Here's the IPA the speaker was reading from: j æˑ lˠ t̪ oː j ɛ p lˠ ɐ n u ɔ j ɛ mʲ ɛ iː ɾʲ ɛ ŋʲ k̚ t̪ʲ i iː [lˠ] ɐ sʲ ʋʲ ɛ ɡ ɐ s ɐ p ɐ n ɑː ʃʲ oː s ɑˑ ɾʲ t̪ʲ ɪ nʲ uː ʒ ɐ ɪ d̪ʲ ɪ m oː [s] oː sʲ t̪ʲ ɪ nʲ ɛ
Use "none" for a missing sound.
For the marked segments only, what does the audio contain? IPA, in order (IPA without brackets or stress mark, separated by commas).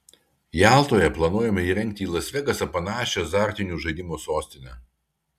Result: lˠ, s